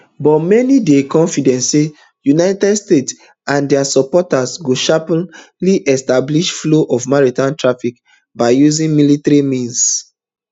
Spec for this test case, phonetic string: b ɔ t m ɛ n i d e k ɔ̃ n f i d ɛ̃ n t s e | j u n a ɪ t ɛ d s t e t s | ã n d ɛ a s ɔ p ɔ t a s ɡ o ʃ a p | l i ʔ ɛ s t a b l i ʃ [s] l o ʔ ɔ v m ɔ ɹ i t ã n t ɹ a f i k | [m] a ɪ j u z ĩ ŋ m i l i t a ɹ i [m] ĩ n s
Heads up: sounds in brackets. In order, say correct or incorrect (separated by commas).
incorrect, incorrect, correct